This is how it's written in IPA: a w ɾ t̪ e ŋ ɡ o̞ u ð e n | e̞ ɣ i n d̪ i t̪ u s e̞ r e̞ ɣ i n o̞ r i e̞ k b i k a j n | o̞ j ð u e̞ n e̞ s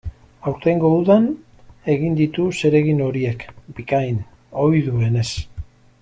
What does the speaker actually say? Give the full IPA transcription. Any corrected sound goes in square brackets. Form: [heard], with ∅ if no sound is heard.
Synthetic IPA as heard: a w ɾ t̪ e ŋ ɡ o̞ u ð [a] n | e̞ ɣ i n d̪ i t̪ u s e̞ [ɾ] e̞ ɣ i n o̞ [ɾ] i e̞ k b i k a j n | o̞ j ð u e̞ n e̞ s